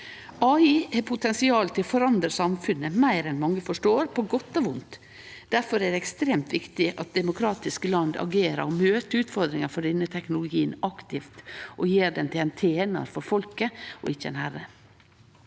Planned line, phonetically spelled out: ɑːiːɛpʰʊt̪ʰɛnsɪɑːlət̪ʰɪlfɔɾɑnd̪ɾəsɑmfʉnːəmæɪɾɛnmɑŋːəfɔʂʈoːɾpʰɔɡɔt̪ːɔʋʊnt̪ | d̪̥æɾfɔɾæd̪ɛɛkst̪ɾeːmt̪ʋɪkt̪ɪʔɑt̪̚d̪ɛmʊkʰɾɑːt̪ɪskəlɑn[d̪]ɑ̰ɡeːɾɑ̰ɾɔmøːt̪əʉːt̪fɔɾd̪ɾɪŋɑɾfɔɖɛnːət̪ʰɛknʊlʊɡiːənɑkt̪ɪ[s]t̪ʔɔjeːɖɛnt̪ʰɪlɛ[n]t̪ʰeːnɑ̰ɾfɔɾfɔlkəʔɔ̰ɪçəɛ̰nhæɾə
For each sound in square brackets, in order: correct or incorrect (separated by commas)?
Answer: correct, incorrect, correct